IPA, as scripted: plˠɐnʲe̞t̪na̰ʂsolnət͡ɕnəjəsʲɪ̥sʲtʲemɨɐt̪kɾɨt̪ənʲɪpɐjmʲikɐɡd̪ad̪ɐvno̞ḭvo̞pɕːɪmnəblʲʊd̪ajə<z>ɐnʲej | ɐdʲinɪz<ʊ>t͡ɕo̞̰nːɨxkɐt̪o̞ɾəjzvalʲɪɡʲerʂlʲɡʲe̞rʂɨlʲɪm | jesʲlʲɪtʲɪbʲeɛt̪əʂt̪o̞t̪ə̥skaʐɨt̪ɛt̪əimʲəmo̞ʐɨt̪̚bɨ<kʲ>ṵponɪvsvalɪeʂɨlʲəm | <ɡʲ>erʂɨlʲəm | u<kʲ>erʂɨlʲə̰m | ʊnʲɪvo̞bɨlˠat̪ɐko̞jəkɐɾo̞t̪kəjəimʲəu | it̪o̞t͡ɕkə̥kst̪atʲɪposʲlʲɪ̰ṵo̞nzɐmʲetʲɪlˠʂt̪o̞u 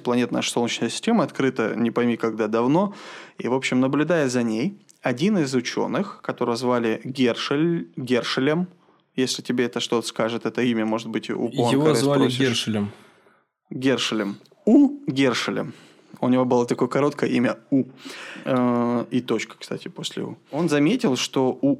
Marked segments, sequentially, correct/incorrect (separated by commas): correct, correct, incorrect, correct, incorrect